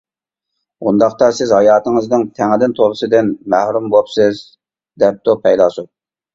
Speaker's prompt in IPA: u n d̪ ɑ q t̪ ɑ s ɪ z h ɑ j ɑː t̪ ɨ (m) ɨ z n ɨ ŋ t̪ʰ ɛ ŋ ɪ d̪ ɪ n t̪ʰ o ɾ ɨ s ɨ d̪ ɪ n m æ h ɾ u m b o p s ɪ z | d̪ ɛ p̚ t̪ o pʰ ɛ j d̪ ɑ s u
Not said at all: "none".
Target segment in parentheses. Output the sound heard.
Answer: ŋ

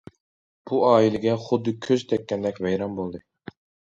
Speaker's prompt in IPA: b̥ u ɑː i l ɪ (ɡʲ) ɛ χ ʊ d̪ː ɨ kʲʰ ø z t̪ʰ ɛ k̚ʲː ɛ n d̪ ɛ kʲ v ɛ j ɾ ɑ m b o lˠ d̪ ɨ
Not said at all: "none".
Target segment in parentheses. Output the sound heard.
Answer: ɡʲ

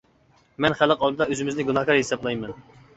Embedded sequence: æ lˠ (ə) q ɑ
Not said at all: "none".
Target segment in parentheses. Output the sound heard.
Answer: ə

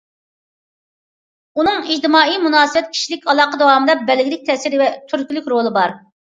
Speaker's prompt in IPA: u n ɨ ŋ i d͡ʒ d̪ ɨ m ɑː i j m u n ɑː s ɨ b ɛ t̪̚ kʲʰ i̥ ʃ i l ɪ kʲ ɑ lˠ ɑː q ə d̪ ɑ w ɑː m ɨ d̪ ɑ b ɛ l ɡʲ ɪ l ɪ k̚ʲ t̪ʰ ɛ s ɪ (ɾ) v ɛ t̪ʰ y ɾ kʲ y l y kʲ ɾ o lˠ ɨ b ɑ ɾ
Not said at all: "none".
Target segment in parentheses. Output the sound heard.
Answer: ɾ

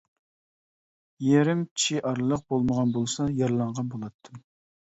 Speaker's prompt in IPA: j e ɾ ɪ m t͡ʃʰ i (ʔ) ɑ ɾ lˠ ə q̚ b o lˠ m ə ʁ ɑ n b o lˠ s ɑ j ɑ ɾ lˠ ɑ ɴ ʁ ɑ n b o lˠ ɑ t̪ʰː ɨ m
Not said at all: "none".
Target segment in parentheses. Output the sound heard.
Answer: ʔ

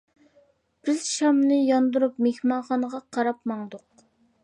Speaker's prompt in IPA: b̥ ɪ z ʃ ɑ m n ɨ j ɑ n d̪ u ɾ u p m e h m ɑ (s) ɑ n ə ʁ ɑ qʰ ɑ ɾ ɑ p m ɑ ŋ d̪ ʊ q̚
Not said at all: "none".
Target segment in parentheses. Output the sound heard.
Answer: χ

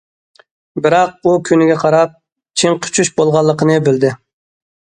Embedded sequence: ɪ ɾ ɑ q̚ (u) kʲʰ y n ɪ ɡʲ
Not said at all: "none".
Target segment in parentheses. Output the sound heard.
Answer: u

